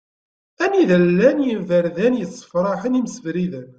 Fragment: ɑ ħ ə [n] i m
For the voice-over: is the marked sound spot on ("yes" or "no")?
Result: yes